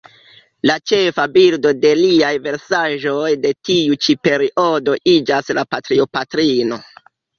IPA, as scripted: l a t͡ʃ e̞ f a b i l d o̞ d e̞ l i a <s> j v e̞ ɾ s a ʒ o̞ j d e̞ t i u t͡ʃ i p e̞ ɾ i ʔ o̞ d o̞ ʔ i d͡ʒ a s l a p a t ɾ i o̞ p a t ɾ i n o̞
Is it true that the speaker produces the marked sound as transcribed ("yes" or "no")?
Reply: no